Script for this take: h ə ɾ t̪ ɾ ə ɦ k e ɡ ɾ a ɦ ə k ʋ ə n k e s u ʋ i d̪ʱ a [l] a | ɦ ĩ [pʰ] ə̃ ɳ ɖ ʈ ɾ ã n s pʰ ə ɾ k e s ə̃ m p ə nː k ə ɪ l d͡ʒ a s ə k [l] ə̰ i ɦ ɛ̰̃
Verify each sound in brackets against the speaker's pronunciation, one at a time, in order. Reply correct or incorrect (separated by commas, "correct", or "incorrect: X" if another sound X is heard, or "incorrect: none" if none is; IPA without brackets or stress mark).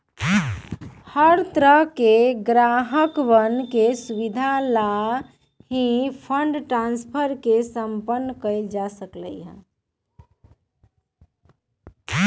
correct, correct, correct